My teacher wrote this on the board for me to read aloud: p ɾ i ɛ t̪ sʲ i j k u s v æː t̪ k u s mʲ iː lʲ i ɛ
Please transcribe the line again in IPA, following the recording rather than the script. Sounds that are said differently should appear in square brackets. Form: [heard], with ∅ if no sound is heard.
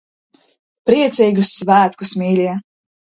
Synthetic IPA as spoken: p ɾ i ɛ t̪ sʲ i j [ɡ] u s v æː t̪ k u s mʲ iː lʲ i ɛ